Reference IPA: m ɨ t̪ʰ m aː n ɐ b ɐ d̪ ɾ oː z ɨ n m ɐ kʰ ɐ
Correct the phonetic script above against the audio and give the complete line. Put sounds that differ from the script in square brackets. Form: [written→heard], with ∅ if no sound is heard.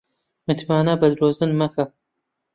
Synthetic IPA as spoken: m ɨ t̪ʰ m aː n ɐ b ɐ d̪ ɾ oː z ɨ n m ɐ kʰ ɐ